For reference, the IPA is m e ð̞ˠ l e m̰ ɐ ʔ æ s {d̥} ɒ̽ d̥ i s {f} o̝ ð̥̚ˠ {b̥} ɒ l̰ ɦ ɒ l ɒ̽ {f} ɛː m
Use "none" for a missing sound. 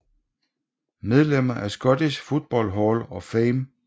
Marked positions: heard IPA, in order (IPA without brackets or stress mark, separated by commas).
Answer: ɡ̥, f, b̥, f